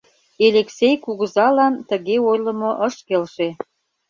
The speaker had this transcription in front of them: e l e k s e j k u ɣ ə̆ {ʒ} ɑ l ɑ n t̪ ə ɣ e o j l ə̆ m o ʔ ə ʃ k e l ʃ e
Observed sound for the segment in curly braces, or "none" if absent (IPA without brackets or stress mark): z